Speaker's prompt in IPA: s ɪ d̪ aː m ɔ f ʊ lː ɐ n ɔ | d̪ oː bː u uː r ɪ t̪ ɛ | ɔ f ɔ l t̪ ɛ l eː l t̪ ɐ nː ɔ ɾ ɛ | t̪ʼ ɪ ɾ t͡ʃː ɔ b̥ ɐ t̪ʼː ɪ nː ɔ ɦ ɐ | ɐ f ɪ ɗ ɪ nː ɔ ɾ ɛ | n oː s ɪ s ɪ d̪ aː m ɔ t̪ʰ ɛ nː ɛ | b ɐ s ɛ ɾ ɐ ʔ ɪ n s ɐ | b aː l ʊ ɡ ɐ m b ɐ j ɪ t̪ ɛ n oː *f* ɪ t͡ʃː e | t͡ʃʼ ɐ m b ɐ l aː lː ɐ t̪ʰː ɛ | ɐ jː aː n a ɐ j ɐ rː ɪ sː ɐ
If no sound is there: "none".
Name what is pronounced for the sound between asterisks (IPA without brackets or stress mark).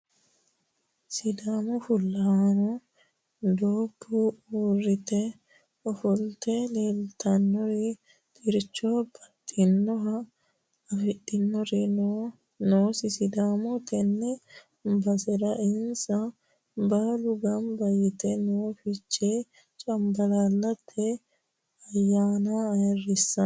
f